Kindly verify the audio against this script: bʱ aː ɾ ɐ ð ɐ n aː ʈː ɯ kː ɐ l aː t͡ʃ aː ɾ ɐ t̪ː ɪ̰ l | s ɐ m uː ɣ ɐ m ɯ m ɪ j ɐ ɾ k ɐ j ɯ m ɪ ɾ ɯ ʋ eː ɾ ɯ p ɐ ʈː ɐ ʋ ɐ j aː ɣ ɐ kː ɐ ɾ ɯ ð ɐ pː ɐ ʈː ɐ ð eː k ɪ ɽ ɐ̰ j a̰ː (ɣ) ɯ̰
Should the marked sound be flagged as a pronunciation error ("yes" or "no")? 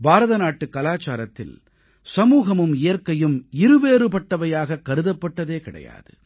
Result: yes